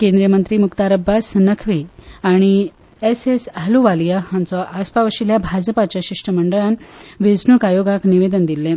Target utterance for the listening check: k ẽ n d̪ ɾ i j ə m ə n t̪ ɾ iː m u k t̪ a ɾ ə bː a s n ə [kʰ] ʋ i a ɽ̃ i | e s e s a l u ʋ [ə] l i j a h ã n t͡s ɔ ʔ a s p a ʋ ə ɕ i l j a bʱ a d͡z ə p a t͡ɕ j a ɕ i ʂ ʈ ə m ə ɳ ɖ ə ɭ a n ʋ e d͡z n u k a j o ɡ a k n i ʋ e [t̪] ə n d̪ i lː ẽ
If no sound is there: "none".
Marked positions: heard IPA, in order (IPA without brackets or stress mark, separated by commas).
kʰ, a, d̪